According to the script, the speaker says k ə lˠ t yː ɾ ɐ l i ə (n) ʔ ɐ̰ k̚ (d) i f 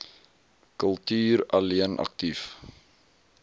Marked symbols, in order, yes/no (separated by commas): yes, no